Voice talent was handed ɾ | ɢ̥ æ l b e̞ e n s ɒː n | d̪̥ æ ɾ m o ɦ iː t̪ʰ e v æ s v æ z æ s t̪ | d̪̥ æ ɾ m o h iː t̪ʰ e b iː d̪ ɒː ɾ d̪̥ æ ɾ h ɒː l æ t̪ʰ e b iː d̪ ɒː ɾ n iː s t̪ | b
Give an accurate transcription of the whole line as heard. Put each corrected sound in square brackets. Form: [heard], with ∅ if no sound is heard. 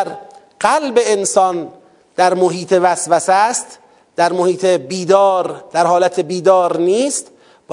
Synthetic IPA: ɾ | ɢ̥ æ l b e̞ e n s ɒː n | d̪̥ æ ɾ m o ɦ iː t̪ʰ e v æ s v æ [s] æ s t̪ | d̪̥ æ ɾ m o h iː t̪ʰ e b iː d̪ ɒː ɾ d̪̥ æ ɾ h ɒː l æ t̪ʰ e b iː d̪ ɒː ɾ n iː s t̪ | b